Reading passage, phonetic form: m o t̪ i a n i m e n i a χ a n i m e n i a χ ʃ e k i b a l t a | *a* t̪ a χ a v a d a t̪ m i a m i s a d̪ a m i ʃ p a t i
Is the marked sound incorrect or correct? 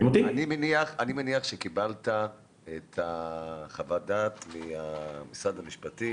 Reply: incorrect